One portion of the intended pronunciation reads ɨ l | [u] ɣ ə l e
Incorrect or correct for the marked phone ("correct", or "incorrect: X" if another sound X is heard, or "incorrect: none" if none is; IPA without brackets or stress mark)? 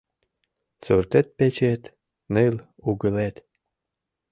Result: correct